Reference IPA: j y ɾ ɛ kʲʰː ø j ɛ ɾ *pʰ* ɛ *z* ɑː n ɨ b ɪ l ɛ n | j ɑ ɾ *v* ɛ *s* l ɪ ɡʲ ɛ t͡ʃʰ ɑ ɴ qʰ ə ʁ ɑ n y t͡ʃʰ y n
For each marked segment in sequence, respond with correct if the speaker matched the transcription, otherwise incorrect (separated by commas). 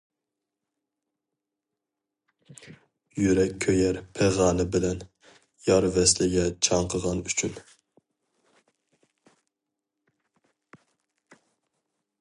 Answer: correct, incorrect, correct, correct